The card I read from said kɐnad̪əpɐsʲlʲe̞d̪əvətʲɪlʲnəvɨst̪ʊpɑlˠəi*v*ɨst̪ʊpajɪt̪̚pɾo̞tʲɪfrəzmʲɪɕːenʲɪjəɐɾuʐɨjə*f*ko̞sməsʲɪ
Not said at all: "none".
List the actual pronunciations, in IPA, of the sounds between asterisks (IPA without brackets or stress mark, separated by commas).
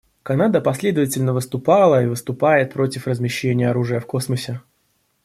v, f